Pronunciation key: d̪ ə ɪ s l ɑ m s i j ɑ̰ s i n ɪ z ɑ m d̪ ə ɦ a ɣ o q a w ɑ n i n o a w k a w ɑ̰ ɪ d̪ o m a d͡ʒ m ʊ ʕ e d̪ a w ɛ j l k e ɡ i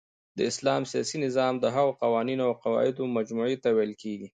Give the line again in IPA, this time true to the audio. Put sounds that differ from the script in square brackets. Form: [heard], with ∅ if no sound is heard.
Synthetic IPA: d̪ ə ɪ s l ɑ m s i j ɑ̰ s i n ɪ z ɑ m d̪ ə ɦ a ɣ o q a w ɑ n i n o a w [q] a w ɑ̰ ɪ d̪ o m a d͡ʒ m [u] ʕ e [t̪] a w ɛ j l k e ɡ i